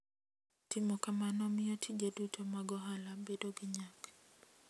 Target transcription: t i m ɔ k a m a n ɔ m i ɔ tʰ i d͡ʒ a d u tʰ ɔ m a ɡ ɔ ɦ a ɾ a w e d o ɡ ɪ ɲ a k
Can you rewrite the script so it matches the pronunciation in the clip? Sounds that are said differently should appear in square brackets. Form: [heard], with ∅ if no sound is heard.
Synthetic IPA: t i m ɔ k a m a n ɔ m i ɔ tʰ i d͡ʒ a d u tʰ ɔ m a ɡ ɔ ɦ a [l] a [b] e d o ɡ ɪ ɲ a k

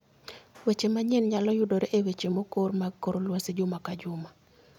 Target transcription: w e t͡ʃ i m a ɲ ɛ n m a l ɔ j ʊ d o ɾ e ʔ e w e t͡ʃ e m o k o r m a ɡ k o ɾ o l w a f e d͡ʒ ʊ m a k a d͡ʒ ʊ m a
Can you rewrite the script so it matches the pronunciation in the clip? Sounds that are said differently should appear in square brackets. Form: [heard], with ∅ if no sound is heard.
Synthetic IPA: w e t͡ʃ [e] m a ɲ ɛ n [ɲ] a l ɔ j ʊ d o ɾ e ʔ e w e t͡ʃ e m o k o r m a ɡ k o ɾ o l w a [s] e d͡ʒ ʊ m a k a d͡ʒ ʊ m a

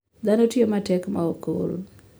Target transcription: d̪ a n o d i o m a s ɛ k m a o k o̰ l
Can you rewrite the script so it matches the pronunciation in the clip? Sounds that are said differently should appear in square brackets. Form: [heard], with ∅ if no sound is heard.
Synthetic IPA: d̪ a n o [t] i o m a [t] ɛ k m a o k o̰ l

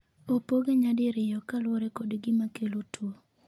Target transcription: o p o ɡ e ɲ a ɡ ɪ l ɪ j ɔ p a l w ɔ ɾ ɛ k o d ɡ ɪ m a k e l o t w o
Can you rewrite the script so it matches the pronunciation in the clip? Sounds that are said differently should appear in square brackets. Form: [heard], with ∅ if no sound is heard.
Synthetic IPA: o p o ɡ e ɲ a [d] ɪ [ɾ] ɪ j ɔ [k] a l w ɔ ɾ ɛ k o d ɡ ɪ m a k e l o t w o

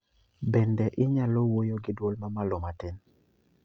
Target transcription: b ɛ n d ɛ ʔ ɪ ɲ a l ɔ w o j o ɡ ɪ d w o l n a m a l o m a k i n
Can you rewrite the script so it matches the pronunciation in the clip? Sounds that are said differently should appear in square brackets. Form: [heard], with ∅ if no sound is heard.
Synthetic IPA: b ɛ n d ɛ ʔ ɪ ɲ a l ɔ w o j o ɡ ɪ d w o l [m] a m a l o m a [t] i n

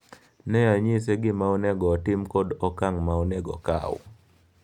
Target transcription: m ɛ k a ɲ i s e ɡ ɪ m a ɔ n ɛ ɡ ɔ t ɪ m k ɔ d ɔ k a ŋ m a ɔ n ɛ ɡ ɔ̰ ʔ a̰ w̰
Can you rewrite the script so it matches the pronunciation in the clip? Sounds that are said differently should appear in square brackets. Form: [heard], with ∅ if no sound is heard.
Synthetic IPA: [n] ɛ [∅] a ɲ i s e ɡ ɪ m a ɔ n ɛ ɡ ɔ t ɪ m k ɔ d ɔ k a ŋ m a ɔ n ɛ ɡ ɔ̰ [k] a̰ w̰

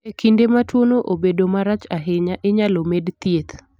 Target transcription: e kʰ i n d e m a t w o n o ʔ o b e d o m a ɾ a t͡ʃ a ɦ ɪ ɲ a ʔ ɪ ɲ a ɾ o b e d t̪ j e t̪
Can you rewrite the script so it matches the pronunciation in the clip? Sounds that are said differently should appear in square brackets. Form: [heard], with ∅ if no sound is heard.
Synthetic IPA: e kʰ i n d e m a t w o n o ʔ o b e d o m a ɾ a t͡ʃ a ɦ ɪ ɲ a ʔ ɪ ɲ a [l] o [m] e d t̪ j e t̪

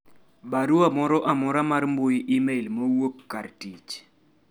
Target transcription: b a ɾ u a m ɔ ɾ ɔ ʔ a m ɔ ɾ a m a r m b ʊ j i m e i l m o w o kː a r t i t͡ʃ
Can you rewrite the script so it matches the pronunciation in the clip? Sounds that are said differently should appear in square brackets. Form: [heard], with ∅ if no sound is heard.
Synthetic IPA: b a ɾ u a m ɔ ɾ ɔ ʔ a m ɔ ɾ a m a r m b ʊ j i m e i l m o w o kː a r t i t͡ʃ

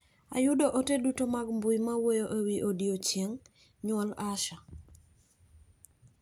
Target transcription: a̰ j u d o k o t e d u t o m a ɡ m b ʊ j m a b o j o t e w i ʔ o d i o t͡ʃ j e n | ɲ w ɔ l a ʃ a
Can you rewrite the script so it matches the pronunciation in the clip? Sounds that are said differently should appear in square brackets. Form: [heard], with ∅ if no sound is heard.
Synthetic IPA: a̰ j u d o [ʔ] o t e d u t o m a ɡ m b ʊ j m a [w] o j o [ʔ] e w i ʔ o d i o t͡ʃ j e [ŋ] | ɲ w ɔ l a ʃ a

